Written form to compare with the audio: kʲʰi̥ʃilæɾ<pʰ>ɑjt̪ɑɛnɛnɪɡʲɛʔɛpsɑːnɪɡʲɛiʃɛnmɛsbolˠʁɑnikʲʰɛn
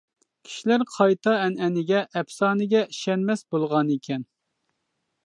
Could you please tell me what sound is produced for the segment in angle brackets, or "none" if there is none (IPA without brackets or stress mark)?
qʰ